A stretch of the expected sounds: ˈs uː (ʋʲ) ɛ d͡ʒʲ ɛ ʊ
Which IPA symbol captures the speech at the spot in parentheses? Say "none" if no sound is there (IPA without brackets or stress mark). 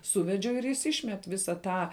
ʋʲ